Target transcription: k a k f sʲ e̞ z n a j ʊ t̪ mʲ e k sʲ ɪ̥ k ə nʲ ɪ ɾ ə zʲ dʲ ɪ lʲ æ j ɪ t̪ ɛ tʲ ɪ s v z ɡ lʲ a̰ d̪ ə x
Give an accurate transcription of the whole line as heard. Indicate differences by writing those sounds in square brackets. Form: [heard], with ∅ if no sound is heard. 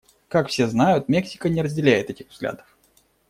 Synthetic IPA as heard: k a k f sʲ e̞ z n a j ʊ t̪ mʲ e k sʲ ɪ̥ k ə nʲ ɪ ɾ ə zʲ dʲ ɪ lʲ æ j ɪ t̪ ɛ tʲ ɪ [x] v z ɡ lʲ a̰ d̪ ə [f]